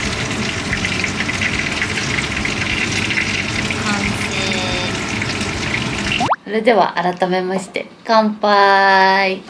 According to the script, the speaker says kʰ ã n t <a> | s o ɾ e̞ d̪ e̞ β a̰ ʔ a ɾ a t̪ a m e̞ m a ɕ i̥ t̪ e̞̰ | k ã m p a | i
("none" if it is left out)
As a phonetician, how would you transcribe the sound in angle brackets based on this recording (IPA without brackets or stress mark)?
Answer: e